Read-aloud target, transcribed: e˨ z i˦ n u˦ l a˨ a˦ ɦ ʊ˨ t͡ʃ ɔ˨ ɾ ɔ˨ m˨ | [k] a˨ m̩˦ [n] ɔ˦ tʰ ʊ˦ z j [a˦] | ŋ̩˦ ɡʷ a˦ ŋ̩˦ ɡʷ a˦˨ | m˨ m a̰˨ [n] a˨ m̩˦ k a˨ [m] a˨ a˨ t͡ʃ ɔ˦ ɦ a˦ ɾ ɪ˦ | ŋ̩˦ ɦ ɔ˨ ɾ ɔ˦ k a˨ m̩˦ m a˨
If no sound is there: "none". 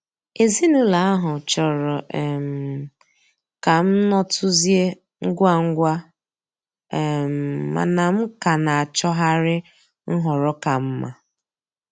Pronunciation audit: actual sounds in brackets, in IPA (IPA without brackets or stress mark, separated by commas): k, n, e˦, n, n